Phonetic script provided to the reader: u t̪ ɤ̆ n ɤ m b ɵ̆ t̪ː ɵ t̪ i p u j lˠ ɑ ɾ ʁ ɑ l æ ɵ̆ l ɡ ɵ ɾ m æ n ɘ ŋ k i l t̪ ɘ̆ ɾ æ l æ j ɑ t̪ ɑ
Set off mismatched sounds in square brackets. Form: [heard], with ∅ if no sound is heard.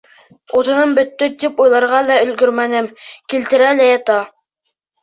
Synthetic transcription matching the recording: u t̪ ɤ̆ n ɤ m b ɵ̆ t̪ː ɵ t̪ i p u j lˠ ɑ ɾ ʁ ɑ l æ ɵ̆ l ɡ ɵ ɾ m æ n ɘ [m] k i l t̪ ɘ̆ ɾ æ l æ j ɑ t̪ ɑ